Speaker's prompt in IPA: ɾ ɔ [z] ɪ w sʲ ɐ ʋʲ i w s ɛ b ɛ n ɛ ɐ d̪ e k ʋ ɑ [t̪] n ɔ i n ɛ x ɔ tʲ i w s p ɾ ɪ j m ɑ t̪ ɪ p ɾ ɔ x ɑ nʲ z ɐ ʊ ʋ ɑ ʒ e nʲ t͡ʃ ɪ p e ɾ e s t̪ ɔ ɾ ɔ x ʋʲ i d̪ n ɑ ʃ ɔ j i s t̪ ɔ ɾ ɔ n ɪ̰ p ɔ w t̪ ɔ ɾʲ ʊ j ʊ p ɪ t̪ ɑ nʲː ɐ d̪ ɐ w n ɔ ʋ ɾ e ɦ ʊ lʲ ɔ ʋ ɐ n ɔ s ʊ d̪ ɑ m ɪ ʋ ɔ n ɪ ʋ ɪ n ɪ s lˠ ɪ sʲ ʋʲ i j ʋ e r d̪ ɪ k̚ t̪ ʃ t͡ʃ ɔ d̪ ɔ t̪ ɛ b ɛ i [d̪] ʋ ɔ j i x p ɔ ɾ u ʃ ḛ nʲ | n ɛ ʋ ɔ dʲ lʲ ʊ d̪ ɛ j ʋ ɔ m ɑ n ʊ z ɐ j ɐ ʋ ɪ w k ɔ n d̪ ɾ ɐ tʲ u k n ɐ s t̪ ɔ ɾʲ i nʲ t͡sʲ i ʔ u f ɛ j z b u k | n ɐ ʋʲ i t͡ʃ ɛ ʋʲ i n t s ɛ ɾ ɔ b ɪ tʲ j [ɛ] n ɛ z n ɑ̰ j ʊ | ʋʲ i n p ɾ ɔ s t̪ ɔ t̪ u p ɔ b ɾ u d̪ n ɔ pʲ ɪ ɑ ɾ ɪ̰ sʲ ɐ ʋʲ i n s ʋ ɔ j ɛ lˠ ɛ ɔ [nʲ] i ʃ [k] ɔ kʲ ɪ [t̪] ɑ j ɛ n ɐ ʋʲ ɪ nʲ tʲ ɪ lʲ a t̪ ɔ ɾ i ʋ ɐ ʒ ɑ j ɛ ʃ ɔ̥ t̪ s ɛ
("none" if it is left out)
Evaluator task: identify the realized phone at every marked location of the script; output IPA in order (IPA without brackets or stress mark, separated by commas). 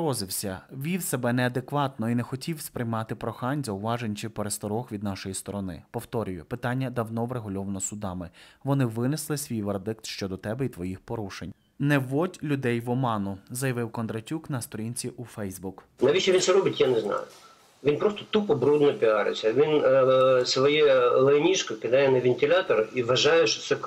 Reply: z, t̪, t̪, a, nʲ, k, d̪